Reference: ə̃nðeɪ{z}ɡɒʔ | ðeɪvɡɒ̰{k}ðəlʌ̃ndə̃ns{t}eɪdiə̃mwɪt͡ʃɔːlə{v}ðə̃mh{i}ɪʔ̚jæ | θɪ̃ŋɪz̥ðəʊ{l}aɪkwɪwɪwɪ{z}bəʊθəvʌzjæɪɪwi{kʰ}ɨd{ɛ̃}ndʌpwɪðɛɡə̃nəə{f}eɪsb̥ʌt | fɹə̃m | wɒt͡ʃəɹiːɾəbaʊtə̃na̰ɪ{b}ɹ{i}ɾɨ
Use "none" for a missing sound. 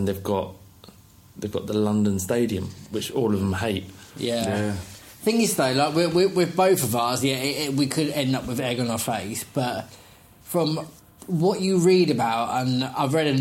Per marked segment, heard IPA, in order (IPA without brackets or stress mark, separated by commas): v, ʔ, t, v, e, l, ð, kʰ, ɛ̃, f, v, ɛ